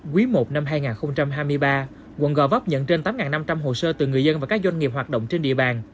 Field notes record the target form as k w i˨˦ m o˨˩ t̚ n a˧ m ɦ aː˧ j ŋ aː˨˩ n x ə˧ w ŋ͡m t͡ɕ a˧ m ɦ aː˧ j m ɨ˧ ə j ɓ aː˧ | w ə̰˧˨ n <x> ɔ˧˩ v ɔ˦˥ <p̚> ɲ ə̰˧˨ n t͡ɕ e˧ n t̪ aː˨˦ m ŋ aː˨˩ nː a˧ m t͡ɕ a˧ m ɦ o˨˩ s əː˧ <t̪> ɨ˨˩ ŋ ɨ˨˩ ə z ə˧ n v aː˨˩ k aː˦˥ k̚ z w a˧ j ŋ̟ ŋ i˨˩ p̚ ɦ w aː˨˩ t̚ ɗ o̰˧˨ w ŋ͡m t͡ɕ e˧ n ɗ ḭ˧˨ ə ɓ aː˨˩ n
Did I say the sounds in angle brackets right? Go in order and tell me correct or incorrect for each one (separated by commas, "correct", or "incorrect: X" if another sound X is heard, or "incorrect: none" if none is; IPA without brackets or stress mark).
incorrect: ɣ, correct, correct